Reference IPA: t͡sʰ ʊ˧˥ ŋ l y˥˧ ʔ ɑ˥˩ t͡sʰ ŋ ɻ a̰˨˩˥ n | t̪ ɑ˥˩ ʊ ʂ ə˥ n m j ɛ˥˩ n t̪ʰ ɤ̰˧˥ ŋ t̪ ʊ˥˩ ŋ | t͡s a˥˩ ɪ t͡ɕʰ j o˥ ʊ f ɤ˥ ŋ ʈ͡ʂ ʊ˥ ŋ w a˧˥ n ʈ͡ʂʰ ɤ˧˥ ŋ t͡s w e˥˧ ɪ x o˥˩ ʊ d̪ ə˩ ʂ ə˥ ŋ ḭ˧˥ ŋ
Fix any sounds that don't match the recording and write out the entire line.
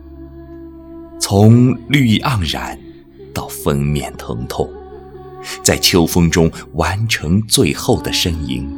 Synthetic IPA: t͡sʰ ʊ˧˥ ŋ l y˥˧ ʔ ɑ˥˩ ŋ ɻ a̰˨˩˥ n | t̪ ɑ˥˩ ʊ f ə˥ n m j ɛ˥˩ n t̪ʰ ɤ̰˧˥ ŋ t̪ʰ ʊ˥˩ ŋ | t͡s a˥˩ ɪ t͡ɕʰ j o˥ ʊ f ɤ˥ ŋ ʈ͡ʂ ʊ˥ ŋ w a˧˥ n ʈ͡ʂʰ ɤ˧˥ ŋ t͡s w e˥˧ ɪ x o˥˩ ʊ d̪ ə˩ ʂ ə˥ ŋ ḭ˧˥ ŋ